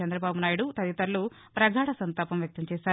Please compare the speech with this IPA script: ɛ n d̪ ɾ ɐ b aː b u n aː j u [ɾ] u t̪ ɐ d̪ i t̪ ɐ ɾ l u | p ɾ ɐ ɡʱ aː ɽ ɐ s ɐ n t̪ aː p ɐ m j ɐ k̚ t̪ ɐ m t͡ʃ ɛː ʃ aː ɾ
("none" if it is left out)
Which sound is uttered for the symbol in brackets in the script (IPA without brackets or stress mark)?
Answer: ɽ